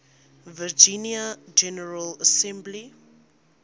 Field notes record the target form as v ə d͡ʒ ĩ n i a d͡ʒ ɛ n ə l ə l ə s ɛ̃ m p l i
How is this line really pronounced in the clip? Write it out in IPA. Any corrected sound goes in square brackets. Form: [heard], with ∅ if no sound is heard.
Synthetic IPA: v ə d͡ʒ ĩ n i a d͡ʒ ɛ n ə [ɹ] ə l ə s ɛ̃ m [b] l i